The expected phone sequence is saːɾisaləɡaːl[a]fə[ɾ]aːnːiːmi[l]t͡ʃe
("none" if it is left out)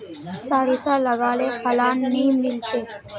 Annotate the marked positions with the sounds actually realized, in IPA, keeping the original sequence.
e, l, l

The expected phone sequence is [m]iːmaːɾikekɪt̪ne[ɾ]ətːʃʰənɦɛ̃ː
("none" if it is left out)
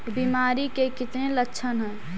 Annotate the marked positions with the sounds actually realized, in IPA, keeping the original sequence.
b, l

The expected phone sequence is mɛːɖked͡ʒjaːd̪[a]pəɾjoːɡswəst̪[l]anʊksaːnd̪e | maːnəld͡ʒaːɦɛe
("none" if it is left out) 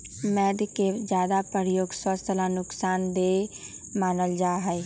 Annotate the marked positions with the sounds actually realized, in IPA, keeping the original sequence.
a, l

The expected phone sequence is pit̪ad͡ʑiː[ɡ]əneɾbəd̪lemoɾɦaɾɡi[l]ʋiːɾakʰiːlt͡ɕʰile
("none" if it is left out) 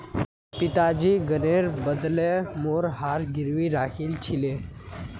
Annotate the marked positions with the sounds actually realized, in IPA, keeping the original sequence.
ɡ, ɾ

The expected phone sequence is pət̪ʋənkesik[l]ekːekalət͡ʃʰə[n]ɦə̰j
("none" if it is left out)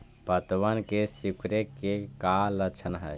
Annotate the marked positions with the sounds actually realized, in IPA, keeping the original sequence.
ɾ, n

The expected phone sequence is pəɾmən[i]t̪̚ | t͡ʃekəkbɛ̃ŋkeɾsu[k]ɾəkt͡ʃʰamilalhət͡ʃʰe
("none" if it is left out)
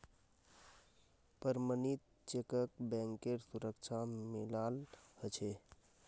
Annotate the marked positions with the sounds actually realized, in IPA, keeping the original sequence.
i, none

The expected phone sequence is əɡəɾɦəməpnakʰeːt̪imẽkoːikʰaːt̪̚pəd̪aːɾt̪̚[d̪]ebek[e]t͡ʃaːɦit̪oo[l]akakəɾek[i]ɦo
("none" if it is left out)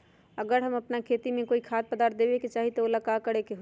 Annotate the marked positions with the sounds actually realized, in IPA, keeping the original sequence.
d̪, e, l, e

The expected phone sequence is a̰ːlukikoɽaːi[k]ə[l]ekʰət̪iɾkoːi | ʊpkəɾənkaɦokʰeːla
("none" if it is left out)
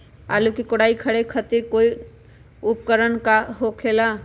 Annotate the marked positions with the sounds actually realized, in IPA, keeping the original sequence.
kʰ, ɽ

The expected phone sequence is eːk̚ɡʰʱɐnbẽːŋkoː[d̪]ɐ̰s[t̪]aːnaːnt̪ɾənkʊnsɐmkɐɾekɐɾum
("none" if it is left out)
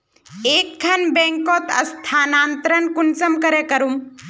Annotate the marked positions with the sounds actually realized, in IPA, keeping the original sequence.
t̪, t̪ʰ

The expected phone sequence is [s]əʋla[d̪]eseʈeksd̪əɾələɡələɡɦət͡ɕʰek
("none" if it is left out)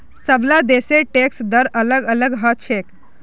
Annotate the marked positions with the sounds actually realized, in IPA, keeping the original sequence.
s, d̪

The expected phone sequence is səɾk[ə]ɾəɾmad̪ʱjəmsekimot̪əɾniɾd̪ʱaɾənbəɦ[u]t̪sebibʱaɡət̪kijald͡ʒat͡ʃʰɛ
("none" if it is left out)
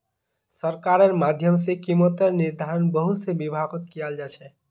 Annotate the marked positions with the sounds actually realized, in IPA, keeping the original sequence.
a, u

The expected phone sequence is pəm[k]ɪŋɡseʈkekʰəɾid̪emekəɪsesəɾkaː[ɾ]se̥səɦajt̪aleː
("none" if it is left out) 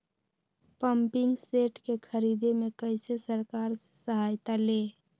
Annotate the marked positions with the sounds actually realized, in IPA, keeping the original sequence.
p, ɾ

